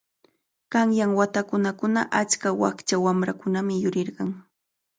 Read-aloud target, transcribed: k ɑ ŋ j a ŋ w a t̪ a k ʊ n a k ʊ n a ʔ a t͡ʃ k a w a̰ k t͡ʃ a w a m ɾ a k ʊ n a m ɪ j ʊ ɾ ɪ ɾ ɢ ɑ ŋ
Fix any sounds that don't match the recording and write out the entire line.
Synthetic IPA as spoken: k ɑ ŋ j a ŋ w a t̪ a k ʊ n a k ʊ n a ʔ a t͡ʃ k a w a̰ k t͡ʃ a w a m ɾ a k ʊ n a m ɪ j ʊ ɾ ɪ ɾ ɢ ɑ ŋ